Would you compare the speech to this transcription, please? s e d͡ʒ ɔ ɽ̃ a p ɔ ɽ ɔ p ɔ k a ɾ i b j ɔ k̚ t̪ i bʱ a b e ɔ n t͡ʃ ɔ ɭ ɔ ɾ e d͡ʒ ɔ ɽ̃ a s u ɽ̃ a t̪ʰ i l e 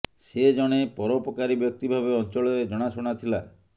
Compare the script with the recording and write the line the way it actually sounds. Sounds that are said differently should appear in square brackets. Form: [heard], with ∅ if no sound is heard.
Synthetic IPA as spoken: s e d͡ʒ ɔ ɽ̃ [e] p ɔ [ɾ] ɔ p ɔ k a ɾ i b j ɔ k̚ t̪ i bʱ a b e ɔ n t͡ʃ ɔ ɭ ɔ ɾ e d͡ʒ ɔ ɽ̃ a s u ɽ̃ a t̪ʰ i l [a]